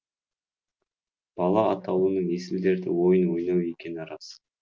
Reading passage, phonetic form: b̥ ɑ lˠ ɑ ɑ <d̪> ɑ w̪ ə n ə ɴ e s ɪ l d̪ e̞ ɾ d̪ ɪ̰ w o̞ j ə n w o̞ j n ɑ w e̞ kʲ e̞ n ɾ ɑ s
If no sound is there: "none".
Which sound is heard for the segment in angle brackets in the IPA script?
t̪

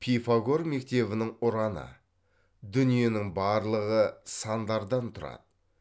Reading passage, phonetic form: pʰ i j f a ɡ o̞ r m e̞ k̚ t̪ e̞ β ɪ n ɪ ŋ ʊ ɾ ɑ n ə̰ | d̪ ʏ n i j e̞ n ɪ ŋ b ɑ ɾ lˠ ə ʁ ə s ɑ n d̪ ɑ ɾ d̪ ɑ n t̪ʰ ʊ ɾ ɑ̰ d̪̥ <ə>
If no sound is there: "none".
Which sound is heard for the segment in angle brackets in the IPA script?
ə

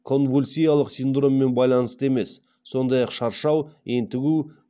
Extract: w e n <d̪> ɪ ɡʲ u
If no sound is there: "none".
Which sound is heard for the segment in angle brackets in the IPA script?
t̪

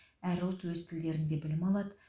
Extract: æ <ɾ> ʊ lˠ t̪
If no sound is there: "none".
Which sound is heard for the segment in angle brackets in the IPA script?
ɾ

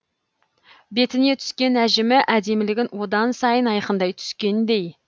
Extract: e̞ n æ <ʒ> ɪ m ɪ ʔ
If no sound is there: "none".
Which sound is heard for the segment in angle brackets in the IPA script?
ʒ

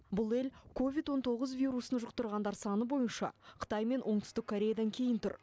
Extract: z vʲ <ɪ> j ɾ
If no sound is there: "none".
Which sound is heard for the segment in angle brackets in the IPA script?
i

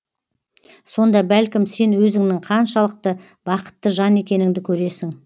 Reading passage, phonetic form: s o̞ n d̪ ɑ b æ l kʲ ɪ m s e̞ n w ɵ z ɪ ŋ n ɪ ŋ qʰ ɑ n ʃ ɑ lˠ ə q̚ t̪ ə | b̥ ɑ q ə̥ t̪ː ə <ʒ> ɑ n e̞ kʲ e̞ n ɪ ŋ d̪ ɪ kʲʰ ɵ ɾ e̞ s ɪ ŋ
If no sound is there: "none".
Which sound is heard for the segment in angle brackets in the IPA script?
ʒ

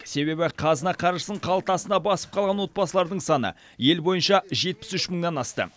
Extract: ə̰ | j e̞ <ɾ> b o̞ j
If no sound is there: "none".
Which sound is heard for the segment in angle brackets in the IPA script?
l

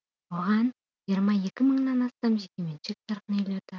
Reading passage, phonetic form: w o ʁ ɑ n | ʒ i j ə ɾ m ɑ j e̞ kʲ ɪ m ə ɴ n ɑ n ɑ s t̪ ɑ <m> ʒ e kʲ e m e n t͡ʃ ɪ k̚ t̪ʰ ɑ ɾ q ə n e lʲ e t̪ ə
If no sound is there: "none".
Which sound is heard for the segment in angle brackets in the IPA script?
m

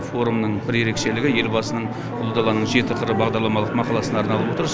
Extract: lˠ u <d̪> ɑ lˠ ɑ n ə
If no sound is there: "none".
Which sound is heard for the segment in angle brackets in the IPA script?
d̪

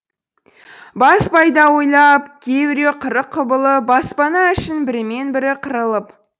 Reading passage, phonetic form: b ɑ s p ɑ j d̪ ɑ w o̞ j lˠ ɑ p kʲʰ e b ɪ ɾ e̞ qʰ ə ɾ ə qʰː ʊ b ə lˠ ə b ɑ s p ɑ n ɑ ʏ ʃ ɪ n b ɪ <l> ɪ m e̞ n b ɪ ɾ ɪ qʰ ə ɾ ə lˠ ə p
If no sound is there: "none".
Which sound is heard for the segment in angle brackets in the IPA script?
ɾ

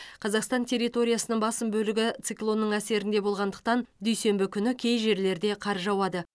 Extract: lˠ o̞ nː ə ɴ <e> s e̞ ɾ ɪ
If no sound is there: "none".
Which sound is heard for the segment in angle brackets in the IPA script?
æ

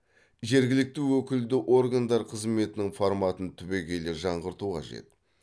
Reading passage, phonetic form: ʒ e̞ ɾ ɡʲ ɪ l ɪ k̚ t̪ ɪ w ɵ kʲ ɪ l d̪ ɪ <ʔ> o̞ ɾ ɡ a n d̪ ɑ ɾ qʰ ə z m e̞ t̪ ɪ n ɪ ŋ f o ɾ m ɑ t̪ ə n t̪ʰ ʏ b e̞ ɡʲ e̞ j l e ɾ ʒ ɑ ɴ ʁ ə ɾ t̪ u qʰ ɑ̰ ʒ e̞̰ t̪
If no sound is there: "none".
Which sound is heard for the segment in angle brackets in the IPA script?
ʔ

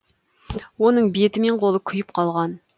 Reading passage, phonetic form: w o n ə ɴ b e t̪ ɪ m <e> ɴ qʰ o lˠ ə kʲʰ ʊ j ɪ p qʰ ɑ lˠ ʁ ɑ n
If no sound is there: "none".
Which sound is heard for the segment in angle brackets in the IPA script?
e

